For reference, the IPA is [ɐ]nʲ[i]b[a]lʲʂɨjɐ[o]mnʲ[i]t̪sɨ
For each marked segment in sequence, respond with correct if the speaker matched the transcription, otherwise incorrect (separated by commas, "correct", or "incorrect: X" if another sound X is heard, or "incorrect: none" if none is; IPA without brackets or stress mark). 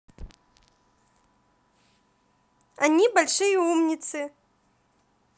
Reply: incorrect: a, correct, correct, incorrect: u, correct